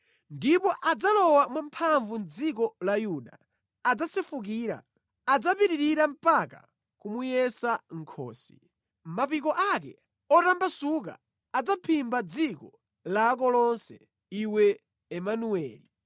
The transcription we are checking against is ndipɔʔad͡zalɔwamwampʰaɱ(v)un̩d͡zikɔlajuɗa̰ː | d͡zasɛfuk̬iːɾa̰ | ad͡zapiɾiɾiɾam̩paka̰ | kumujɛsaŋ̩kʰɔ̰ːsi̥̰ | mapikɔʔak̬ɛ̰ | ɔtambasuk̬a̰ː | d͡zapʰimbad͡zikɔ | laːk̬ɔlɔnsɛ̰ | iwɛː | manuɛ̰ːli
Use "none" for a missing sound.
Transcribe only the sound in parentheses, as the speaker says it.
v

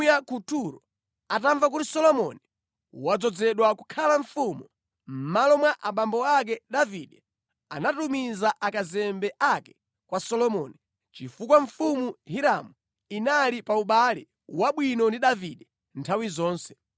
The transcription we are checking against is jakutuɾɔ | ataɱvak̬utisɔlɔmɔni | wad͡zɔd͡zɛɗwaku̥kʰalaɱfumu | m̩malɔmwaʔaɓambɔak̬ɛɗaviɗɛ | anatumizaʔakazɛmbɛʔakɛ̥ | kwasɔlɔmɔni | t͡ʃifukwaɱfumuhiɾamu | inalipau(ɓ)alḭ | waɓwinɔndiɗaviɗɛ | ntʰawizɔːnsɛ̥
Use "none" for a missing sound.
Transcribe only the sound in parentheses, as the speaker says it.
ɓ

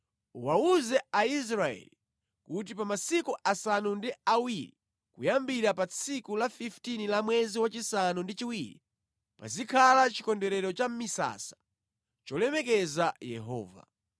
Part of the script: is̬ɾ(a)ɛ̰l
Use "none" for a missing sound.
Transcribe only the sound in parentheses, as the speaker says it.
a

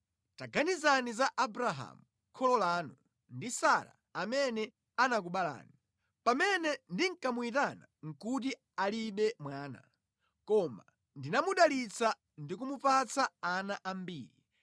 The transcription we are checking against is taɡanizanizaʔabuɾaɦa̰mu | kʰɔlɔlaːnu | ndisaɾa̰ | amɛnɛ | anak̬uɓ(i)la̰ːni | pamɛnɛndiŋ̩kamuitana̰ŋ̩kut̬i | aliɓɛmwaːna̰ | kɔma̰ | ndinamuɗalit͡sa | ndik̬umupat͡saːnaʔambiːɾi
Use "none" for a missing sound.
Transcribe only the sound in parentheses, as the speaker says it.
a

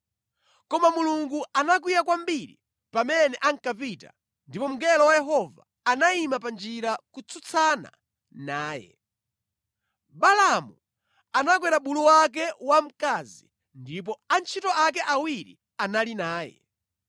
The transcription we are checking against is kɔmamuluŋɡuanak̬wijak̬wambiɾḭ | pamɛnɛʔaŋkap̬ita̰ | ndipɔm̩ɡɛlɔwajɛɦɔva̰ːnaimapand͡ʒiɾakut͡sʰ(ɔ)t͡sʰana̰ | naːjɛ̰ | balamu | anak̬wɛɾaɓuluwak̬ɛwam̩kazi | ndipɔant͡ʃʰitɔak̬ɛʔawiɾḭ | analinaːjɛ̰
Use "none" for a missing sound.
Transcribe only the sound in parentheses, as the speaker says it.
u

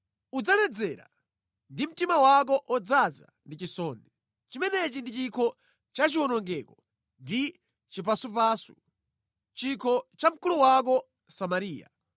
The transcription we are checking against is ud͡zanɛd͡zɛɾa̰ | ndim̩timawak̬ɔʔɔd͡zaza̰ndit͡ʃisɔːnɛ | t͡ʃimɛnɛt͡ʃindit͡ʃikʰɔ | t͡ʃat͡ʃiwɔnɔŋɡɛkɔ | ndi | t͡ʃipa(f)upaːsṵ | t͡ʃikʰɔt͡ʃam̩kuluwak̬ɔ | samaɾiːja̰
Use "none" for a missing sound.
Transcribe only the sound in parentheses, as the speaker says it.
s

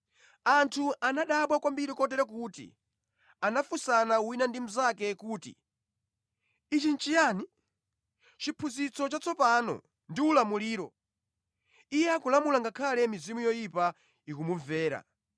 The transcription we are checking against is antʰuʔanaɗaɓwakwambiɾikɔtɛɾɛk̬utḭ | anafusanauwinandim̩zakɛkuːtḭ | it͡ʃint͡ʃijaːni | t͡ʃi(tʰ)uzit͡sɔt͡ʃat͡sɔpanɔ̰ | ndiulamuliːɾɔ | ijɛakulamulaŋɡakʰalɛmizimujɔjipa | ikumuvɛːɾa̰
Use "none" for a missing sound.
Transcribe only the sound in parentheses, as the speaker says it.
pʰ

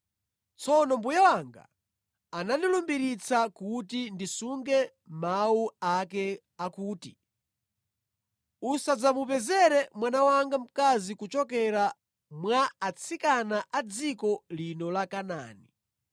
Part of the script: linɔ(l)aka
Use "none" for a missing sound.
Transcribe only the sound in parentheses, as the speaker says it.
l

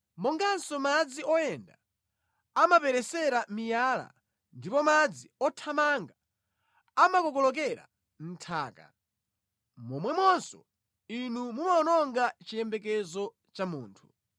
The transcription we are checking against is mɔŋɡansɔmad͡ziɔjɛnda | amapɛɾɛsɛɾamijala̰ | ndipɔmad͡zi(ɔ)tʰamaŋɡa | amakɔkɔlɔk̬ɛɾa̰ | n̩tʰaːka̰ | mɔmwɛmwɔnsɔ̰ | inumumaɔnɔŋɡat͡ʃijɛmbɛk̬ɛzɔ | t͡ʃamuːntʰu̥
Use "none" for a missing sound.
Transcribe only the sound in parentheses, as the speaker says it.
ɔ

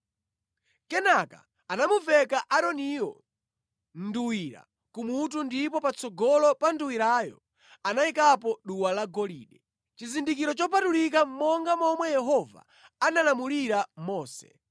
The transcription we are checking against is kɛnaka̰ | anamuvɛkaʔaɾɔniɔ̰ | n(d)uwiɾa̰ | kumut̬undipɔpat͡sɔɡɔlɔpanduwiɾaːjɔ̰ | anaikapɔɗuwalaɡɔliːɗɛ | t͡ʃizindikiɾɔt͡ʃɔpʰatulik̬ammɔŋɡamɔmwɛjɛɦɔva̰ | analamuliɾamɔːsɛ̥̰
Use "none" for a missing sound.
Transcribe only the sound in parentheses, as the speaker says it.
d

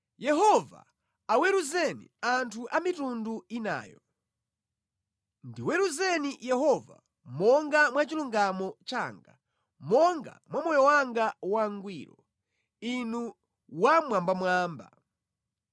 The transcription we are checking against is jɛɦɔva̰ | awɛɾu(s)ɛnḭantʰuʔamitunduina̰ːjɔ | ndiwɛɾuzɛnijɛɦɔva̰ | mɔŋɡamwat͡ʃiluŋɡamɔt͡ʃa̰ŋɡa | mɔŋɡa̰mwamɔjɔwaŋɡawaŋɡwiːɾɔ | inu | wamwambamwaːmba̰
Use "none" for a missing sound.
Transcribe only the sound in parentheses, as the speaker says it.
z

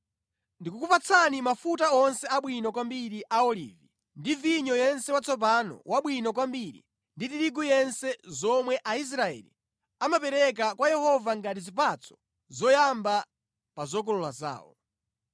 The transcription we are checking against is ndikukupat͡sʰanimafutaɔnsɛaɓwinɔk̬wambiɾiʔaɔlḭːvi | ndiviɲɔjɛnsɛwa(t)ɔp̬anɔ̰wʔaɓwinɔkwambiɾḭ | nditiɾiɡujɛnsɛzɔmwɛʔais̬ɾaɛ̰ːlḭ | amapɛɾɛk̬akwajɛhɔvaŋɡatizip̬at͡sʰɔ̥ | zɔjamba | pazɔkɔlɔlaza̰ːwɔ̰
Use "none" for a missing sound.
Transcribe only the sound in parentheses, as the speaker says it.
t͡s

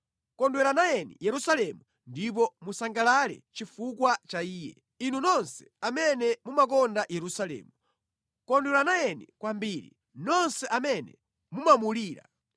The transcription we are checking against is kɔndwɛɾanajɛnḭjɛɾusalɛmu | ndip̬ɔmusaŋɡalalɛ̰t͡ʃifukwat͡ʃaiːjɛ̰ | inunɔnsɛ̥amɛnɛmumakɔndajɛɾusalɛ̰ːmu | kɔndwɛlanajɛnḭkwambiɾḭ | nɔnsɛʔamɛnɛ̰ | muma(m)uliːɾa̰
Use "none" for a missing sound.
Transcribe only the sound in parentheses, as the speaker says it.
m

